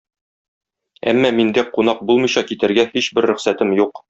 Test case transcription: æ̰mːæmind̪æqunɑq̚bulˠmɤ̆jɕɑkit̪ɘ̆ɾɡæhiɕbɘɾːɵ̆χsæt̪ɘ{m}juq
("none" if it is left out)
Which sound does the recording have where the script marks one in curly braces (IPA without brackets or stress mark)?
m